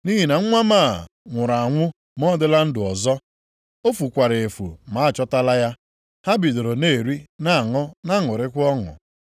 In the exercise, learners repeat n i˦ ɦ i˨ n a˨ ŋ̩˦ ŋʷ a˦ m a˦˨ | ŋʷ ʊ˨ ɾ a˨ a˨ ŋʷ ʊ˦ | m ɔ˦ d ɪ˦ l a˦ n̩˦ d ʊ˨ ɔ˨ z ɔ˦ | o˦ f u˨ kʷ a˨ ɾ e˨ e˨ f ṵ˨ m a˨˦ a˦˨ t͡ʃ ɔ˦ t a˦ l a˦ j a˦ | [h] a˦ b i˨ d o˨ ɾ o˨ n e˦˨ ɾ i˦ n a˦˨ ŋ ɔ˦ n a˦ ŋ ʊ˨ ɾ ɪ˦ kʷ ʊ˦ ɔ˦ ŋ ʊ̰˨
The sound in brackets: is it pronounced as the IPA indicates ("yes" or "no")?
yes